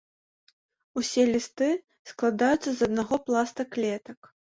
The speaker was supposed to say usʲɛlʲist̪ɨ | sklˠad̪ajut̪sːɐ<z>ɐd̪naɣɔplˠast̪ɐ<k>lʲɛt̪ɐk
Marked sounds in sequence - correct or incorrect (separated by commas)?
correct, correct